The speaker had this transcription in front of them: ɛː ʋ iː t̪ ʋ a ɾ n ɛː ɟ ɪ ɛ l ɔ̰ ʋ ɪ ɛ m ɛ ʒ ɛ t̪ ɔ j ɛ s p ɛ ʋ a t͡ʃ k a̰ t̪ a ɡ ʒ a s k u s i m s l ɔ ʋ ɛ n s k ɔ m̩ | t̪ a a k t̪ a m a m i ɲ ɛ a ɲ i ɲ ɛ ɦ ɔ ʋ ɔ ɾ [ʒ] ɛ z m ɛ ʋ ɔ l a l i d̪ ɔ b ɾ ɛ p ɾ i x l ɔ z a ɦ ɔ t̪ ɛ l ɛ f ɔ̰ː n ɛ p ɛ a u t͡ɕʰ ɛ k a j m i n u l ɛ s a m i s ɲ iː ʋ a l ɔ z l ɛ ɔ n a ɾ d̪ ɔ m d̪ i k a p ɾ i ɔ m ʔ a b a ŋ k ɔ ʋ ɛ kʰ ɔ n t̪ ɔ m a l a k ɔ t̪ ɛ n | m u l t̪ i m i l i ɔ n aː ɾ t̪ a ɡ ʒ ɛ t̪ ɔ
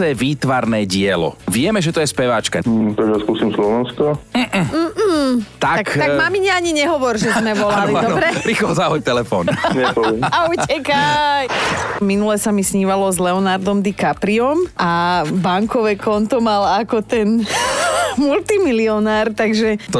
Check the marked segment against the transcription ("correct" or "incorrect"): correct